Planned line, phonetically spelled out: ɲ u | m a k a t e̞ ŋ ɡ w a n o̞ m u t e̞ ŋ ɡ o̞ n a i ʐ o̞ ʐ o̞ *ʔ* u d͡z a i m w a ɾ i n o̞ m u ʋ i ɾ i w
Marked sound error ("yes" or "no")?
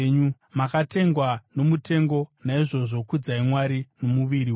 yes